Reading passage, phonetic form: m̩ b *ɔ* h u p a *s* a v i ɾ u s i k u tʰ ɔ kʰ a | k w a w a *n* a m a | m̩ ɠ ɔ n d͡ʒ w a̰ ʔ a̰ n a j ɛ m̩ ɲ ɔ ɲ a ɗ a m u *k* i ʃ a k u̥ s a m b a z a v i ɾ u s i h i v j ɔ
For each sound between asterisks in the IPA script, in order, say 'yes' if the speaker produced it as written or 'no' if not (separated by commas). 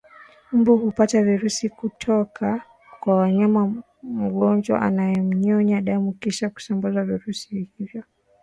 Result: no, no, no, yes